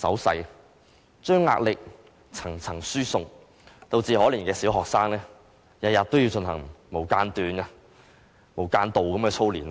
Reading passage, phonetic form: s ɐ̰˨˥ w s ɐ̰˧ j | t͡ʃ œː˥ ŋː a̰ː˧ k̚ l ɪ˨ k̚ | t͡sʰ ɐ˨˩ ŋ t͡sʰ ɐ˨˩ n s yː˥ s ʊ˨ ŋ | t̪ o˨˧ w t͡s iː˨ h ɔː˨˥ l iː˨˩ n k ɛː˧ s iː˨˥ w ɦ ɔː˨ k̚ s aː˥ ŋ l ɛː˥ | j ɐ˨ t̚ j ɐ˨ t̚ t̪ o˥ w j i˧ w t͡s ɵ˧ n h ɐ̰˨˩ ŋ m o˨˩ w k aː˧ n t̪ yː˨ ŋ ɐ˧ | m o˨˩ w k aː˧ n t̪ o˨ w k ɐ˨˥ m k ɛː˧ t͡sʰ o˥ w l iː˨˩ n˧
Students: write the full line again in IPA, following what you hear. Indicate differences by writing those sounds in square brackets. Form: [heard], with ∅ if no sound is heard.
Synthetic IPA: s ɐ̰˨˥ w s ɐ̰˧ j | t͡ʃ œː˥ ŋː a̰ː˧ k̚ l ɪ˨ k̚ | t͡sʰ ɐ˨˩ ŋ t͡sʰ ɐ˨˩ [ŋ] s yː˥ s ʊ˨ ŋ | t̪ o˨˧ w t͡s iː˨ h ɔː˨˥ l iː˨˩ n k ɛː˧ s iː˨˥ w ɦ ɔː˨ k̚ s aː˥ ŋ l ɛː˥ | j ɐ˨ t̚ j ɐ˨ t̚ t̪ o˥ w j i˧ w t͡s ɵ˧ n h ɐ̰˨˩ ŋ m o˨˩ w k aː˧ n t̪ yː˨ [n] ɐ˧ | m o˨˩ w k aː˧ n t̪ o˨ w k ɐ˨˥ m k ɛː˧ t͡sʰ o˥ w l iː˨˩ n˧

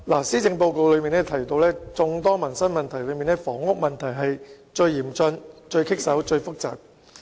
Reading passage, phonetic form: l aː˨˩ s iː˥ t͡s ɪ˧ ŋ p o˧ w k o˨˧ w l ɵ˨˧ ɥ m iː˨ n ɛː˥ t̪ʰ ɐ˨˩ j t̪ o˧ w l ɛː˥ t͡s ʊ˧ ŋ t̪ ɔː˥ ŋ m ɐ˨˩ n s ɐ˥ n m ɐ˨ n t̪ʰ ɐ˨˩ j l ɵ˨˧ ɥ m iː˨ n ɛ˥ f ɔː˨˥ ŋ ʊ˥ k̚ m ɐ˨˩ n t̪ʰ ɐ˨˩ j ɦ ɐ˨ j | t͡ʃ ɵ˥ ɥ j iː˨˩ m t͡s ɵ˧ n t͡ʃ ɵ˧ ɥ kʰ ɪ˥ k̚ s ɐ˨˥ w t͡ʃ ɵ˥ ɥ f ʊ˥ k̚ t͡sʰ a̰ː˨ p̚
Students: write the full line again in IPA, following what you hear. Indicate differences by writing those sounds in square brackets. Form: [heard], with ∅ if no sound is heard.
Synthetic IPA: l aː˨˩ s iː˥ t͡s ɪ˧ ŋ p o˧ w k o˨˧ w l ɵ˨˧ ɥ m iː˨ n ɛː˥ t̪ʰ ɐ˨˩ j t̪ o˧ w l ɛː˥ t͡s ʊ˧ ŋ t̪ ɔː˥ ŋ m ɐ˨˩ n s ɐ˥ n m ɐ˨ n t̪ʰ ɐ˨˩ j l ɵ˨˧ ɥ m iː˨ n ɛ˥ f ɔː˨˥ ŋ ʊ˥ k̚ m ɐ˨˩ n t̪ʰ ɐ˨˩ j ɦ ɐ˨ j | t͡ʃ [ɵ˧] ɥ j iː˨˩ m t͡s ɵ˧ n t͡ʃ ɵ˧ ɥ kʰ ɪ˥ k̚ s ɐ˨˥ w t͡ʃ [ɵ˧] ɥ f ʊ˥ k̚ [t͡s] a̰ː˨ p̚

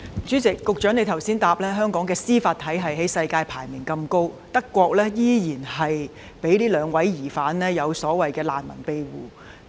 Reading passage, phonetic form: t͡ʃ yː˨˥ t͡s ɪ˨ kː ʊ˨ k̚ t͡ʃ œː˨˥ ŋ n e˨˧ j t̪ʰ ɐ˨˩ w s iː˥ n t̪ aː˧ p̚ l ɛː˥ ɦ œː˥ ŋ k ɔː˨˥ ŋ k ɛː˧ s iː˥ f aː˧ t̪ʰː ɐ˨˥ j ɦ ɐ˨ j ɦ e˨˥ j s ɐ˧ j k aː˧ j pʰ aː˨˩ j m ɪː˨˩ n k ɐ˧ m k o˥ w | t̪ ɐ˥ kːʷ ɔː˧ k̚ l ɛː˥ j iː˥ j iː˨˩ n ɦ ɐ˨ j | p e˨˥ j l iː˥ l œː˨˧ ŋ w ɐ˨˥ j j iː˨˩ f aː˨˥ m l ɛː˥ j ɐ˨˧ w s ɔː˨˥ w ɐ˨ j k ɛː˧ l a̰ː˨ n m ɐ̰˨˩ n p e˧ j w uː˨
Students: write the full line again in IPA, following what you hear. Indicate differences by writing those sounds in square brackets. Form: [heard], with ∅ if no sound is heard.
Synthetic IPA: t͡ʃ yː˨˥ t͡s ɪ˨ kː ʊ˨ k̚ t͡ʃ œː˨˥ ŋ n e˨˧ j t̪ʰ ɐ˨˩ w s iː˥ n t̪ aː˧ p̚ l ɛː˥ ɦ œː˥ ŋ k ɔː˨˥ ŋ k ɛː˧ s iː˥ f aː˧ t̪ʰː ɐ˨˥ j ɦ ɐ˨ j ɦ e˨˥ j s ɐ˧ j k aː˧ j pʰ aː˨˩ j m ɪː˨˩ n k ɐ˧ m k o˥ w | t̪ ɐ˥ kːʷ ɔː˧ k̚ l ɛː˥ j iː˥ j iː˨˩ n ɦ ɐ˨ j | p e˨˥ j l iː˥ l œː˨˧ ŋ w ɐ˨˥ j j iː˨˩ f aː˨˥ [n] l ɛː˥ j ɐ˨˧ w s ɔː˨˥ w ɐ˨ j k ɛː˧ l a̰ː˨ n m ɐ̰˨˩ n p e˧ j w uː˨

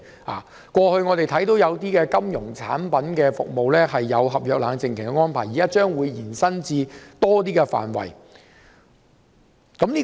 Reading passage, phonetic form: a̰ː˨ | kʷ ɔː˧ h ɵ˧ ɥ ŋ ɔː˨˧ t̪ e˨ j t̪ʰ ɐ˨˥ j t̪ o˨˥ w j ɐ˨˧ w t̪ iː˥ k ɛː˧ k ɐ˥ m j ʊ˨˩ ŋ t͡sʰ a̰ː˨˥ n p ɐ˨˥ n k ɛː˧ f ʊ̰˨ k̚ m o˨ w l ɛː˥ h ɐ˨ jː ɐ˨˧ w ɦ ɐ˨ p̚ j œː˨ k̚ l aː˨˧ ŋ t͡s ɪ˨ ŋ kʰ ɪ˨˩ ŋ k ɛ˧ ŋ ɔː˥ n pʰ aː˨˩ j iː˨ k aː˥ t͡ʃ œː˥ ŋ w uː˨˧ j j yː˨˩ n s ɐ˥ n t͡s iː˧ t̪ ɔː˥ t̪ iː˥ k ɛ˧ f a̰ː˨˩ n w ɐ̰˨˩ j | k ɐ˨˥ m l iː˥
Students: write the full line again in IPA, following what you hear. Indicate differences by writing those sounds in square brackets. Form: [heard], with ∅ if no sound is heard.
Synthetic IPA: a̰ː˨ | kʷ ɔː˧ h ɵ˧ ɥ ŋ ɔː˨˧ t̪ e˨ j t̪ʰ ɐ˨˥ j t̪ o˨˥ w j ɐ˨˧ w t̪ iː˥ k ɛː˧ k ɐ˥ m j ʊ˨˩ ŋ t͡sʰ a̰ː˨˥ n p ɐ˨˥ n k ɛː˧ f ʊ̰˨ k̚ m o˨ w l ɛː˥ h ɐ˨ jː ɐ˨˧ w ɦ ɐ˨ p̚ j œː˨ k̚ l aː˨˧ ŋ t͡s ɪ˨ ŋ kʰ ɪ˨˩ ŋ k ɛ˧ ŋ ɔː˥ n pʰ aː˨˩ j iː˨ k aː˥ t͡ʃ œː˥ ŋ w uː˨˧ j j [iː˨˩] n s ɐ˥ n t͡s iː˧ t̪ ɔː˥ t̪ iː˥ k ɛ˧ f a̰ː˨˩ n w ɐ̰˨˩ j | k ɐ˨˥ m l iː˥

